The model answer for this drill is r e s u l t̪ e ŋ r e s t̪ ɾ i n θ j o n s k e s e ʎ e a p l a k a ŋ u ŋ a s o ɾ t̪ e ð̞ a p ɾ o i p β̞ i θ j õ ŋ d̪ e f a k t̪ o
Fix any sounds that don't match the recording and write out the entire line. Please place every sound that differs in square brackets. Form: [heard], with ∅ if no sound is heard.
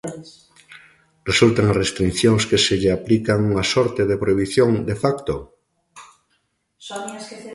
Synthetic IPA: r e s u l t̪ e ŋ r e s t̪ ɾ i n θ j o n s k e s e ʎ e a p l [i] k a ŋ u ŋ a s o ɾ t̪ e ð̞ [e] p ɾ o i [∅] β̞ i θ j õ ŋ d̪ e f a k t̪ o